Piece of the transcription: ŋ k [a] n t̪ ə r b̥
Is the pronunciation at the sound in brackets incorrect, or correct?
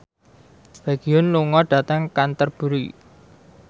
correct